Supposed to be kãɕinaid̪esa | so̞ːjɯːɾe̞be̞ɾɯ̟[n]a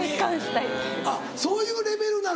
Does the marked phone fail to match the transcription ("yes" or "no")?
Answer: no